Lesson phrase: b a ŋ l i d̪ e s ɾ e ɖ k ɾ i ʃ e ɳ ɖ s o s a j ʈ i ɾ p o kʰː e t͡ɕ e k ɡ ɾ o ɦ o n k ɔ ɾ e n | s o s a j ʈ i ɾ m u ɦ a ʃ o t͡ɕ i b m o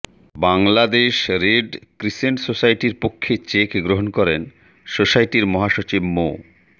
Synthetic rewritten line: b a ŋ l a d̪ e ʃ ɾ e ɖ k ɾ i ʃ e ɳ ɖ s o s a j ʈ i ɾ p o kʰː e t͡ɕ e k ɡ ɾ o ɦ o n k ɔ ɾ e n | s o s a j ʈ i ɾ m ɔ ɦ a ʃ o t͡ɕ i b m o